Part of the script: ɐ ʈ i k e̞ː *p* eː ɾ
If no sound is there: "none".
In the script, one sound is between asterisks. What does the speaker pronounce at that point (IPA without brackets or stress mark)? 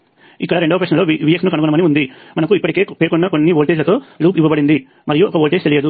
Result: p